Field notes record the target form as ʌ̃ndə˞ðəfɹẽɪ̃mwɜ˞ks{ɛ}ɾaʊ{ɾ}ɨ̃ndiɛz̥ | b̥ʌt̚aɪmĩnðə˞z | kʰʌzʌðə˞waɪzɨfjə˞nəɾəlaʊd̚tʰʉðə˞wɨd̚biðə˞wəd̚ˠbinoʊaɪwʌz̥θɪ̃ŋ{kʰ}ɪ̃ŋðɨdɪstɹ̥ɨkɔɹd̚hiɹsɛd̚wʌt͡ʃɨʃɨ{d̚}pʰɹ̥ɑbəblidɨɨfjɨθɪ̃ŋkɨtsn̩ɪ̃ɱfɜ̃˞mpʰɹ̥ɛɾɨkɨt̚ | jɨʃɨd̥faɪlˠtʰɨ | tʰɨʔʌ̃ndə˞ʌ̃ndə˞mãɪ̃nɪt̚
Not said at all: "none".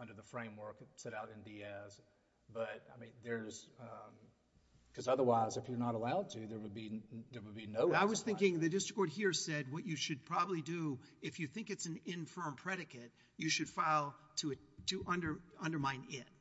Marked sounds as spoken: ɛ, ɾ, k, d̚

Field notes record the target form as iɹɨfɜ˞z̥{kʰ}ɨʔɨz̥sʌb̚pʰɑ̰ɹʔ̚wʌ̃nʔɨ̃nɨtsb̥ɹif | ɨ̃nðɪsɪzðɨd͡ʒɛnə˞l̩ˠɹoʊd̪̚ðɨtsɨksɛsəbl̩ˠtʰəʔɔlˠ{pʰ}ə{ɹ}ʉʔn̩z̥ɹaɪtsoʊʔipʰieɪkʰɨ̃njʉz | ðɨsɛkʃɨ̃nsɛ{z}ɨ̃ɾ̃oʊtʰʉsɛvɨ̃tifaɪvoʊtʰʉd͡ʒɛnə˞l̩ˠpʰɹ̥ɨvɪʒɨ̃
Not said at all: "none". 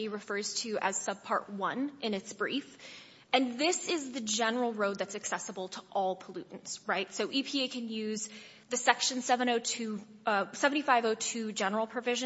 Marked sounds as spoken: tʰ, pʰ, l, v

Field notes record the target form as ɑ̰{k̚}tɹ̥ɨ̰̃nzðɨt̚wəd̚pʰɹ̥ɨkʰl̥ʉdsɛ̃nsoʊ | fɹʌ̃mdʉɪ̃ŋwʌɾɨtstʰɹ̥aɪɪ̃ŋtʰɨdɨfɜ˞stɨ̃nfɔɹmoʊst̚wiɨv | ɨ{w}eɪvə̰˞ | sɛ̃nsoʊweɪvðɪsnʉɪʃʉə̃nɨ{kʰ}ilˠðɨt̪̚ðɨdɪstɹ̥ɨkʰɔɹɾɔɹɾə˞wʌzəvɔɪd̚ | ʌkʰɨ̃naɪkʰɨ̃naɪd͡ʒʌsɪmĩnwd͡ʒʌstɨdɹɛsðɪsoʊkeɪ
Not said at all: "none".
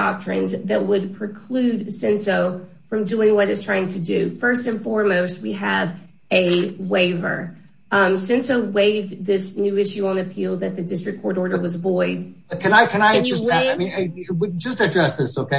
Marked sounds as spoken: k̚, w, pʰ

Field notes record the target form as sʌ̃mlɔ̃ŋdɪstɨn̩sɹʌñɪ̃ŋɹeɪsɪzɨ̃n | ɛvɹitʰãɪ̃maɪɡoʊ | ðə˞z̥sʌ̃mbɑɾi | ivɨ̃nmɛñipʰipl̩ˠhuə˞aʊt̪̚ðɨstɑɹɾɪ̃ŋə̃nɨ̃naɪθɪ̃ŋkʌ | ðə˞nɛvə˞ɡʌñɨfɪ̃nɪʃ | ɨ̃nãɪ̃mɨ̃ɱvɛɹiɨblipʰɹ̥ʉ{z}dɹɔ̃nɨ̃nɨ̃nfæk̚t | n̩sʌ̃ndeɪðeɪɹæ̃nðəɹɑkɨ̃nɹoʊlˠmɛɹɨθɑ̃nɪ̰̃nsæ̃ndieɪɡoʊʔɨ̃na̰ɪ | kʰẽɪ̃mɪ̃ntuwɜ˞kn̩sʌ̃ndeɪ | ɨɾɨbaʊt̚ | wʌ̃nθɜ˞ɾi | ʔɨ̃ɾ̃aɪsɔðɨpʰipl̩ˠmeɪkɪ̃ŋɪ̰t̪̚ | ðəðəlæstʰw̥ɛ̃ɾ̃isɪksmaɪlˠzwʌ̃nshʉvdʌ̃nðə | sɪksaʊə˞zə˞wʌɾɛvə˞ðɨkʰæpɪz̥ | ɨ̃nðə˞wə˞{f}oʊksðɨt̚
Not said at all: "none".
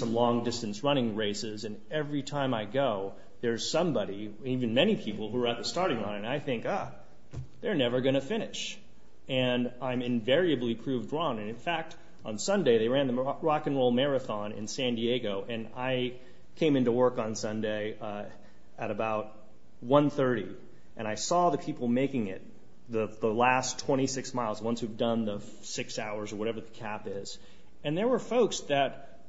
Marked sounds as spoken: v, f

